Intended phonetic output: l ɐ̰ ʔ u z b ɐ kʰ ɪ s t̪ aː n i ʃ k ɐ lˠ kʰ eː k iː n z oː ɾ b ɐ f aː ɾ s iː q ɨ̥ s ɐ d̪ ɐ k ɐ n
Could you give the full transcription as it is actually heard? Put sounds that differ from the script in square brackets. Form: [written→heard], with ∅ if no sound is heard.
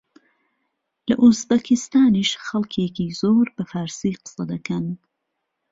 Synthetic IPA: l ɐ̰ ʔ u z b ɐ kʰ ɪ s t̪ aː n i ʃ [k→x] ɐ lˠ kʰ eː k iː [n→∅] z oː ɾ b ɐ f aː ɾ s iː q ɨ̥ s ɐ d̪ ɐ k ɐ n